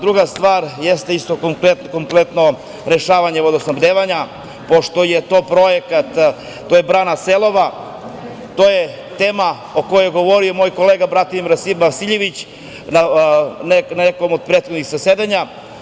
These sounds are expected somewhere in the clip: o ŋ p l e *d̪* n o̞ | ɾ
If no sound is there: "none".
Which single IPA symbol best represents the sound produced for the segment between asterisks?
t̪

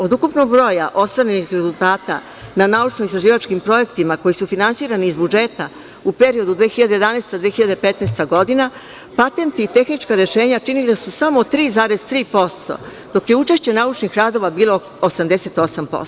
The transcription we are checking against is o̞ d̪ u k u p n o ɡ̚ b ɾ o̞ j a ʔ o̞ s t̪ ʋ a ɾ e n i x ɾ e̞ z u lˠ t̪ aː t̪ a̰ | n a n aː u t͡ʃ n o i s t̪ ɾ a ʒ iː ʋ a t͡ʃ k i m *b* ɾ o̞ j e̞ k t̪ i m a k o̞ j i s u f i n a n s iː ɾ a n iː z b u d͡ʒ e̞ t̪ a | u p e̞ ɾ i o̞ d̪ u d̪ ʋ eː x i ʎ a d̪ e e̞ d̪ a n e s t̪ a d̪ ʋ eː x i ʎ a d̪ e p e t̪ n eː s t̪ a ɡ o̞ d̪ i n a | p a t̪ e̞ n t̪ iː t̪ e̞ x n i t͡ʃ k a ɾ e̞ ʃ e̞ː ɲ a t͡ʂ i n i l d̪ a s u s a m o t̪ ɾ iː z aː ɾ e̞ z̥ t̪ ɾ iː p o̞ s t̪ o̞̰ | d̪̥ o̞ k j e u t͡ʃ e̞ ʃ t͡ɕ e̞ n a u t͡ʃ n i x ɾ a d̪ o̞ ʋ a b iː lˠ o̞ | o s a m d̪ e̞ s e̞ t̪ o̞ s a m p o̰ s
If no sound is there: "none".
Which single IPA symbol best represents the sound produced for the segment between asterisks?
p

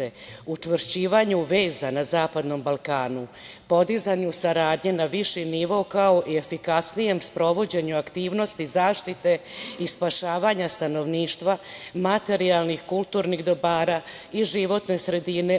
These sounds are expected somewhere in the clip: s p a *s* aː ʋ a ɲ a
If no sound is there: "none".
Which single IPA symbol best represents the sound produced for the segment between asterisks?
ʃ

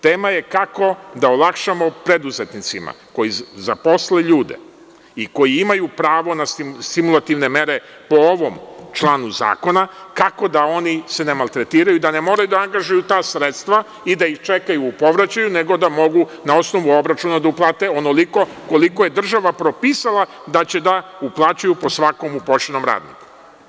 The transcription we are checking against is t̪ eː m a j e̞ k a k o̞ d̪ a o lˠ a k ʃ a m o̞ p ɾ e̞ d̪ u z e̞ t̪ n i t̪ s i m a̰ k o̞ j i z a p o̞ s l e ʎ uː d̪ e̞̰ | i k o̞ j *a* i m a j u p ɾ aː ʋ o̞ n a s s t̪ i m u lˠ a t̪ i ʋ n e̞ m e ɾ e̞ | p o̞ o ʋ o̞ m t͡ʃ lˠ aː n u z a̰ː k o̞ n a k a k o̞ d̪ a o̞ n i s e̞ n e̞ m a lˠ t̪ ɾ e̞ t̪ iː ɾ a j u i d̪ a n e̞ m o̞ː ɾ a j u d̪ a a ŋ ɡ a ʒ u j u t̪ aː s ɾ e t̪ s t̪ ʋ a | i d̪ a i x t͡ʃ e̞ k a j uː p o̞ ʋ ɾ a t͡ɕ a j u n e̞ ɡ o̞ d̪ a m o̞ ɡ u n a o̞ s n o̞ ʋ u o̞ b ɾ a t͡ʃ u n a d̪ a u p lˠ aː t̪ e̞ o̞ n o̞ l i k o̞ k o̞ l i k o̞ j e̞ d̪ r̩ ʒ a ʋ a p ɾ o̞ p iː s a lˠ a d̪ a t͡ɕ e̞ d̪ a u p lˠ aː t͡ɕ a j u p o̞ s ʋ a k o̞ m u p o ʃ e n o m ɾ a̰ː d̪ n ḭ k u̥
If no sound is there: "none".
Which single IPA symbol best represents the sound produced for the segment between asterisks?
i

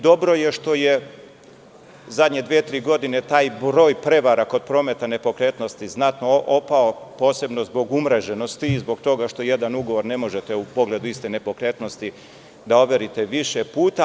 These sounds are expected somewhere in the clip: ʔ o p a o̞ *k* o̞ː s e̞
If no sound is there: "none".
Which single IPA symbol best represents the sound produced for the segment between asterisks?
p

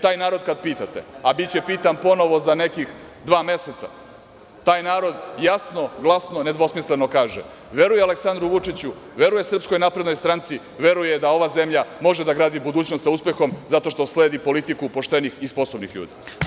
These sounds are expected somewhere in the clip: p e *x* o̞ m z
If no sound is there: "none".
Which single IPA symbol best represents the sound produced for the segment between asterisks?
x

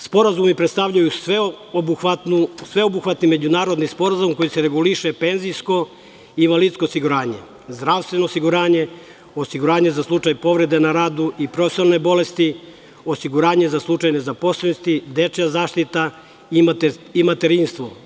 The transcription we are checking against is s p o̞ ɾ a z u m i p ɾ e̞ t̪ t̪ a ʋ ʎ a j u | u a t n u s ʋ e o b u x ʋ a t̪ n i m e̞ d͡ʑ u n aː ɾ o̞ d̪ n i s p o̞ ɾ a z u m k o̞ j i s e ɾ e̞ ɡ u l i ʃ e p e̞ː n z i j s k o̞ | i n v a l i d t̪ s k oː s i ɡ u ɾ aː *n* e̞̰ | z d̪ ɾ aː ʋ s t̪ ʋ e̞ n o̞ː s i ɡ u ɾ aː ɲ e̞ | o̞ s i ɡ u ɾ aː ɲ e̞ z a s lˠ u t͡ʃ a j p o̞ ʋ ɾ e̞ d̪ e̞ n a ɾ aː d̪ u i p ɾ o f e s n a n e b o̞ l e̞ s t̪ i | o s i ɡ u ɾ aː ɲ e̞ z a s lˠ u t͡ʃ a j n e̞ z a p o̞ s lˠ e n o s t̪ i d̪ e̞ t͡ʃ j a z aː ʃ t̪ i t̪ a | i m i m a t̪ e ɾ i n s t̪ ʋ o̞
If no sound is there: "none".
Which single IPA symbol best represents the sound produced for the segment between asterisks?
ɲ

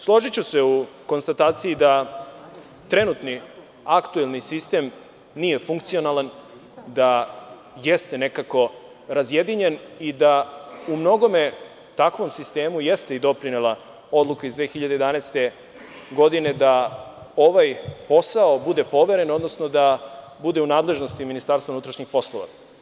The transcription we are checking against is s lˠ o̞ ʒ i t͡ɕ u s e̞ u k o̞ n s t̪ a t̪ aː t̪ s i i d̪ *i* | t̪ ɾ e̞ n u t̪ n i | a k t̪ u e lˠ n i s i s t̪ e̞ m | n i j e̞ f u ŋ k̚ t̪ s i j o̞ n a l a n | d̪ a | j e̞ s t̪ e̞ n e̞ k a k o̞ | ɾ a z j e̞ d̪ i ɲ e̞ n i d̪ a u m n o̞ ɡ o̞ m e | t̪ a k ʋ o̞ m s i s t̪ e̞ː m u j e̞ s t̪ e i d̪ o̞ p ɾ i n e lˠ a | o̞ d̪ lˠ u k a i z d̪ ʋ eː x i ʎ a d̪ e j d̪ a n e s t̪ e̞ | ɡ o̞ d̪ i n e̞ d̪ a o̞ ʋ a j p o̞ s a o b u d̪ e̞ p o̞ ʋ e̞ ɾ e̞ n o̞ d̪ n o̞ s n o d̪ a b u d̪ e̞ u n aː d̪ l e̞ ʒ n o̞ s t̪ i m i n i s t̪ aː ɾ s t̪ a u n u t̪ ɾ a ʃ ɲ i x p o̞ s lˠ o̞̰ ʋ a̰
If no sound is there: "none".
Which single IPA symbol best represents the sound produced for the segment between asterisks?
a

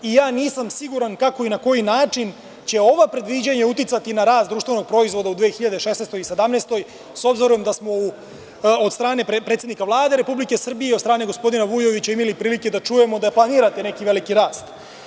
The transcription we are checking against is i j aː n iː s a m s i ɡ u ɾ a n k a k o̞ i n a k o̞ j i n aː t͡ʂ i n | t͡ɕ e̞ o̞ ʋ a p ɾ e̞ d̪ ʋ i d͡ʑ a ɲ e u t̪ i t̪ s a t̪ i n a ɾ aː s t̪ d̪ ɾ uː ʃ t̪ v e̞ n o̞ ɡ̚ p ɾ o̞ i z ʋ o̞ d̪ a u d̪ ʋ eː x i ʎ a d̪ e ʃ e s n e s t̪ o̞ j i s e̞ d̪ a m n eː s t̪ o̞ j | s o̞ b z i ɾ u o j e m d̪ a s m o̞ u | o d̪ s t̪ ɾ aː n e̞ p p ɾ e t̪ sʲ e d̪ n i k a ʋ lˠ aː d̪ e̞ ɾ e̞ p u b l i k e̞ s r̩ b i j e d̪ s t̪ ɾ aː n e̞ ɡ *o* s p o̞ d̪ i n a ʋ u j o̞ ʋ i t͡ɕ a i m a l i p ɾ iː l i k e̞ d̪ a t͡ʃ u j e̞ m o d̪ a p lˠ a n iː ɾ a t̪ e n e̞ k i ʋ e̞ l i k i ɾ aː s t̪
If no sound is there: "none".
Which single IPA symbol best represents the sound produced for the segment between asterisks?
o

